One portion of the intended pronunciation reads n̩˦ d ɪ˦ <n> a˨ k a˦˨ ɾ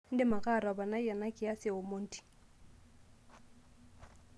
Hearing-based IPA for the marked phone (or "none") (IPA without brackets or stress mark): m